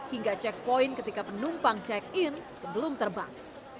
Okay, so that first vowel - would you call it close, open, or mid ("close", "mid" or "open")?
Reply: close